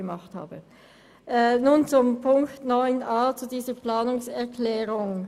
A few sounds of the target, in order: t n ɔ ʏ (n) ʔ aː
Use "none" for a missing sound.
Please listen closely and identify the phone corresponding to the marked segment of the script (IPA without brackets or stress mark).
n